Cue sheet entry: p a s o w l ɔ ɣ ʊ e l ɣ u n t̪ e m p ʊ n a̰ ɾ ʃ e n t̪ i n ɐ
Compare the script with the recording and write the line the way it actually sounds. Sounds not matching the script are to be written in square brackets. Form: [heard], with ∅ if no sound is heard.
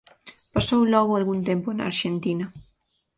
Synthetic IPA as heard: p a s o w l ɔ ɣ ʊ [a] l ɣ u n t̪ e m p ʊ n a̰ ɾ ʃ e n t̪ i n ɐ